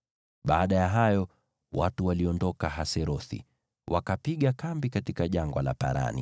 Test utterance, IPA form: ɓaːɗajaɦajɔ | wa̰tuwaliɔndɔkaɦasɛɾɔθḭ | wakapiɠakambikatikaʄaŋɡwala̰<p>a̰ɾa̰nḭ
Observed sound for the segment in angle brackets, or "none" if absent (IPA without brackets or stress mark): p